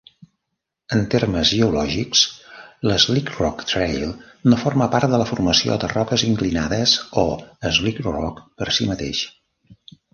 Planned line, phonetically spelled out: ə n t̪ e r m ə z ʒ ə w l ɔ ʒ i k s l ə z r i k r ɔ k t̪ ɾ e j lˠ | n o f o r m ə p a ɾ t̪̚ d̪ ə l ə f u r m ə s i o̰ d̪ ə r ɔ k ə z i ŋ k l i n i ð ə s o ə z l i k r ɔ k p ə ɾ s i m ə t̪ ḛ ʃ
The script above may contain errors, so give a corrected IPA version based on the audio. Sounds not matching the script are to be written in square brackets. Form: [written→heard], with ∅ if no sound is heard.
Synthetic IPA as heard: ə n t̪ e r m ə z ʒ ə [w→u] l ɔ ʒ i k s l ə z [r→l] i k r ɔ k t̪ ɾ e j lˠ | n o f o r m ə p a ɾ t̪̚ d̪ ə l ə f u r m ə s i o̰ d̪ ə r ɔ k ə z i ŋ k l i n [i→a] ð ə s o ə z l i k r ɔ k p ə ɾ s i m ə t̪ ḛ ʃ

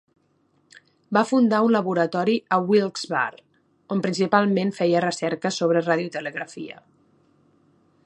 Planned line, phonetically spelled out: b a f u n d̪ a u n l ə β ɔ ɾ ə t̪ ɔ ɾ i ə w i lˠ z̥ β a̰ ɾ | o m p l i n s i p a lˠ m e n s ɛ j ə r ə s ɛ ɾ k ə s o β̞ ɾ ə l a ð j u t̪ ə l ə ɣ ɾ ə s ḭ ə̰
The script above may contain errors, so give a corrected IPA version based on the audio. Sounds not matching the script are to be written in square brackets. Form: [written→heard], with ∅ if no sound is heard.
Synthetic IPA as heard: b a f u n d̪ a u n l ə β [ɔ→u] ɾ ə t̪ ɔ ɾ i ə w i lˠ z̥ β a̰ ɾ | o m p [l→ɾ] i n s i p a lˠ m e n [s→f] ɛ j ə r ə s ɛ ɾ k ə s o β̞ ɾ ə [l→r] a ð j u t̪ ə l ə ɣ ɾ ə [s→f] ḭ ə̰

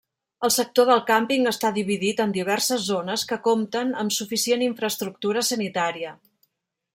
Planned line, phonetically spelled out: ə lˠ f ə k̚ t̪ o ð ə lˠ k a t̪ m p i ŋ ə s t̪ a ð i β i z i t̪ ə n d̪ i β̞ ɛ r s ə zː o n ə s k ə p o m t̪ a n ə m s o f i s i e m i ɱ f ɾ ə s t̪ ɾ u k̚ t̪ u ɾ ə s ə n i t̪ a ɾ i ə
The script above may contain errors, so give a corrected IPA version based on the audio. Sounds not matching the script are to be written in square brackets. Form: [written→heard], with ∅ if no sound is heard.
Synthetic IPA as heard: ə lˠ [f→s] ə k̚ t̪ o ð ə lˠ k a [t̪→∅] m p i ŋ ə s t̪ a ð i β i [z→ð] i t̪ ə n d̪ i β̞ ɛ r s ə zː o n ə s k ə [p→k] o m t̪ [a→ə] n ə m s [o→u] f i s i e [m→n] i ɱ f ɾ ə s t̪ ɾ u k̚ t̪ u ɾ ə s ə n i t̪ a ɾ i ə

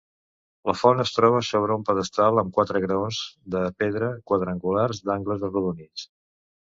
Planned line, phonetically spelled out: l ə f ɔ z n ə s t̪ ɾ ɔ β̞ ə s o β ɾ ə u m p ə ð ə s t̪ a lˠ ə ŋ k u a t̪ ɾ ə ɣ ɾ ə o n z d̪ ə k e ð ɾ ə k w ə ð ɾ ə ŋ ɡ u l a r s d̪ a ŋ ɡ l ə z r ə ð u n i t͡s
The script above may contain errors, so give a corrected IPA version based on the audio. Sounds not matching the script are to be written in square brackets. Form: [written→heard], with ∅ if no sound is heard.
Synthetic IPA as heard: l ə f ɔ [z→∅] n ə s t̪ ɾ ɔ β̞ ə s o β ɾ ə u m p ə ð ə s t̪ a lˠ ə [ŋ→m] k [u→w] a t̪ ɾ ə ɣ ɾ ə o n z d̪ ə [k→p] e ð ɾ ə k w ə ð ɾ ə ŋ ɡ u l a r [s→z] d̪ a ŋ ɡ l ə z r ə ð u n i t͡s

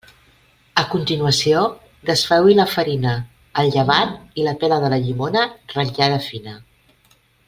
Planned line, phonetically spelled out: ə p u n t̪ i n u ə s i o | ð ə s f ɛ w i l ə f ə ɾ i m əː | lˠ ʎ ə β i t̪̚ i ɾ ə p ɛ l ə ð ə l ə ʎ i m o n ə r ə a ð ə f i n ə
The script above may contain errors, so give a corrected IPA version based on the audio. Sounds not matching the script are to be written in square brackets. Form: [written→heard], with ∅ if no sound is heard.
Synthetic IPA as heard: ə [p→k] u n t̪ i n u ə s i o | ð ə s f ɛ w i l ə f ə ɾ i [m→n] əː | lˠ ʎ ə β [i→a] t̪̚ i [ɾ→l] ə p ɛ l ə ð ə l ə ʎ i m o n ə r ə a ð ə f i n ə

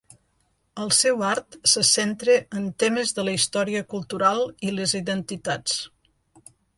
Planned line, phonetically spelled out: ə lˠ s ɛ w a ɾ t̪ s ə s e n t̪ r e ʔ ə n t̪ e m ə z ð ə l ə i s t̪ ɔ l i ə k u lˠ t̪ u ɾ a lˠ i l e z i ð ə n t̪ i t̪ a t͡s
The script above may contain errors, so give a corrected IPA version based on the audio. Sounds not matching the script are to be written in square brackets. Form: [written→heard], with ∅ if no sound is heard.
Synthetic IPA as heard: ə lˠ s ɛ w a ɾ t̪ s ə s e n t̪ [r→ɾ] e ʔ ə n t̪ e m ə z ð ə l ə i s t̪ ɔ [l→ɾ] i ə k u lˠ t̪ u ɾ a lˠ i l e z i ð ə n t̪ i t̪ a t͡s

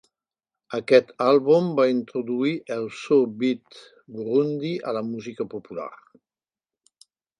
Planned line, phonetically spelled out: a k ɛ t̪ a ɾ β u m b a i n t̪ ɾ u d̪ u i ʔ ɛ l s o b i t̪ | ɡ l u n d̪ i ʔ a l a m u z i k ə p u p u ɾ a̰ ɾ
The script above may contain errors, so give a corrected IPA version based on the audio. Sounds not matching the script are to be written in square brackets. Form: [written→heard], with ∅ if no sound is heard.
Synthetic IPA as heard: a k ɛ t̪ a [ɾ→l] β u m b a i n t̪ ɾ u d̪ u i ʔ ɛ l s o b i t̪ | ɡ [l→ɾ] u n d̪ i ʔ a l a m u z i k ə p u p u [ɾ→l] a̰ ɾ

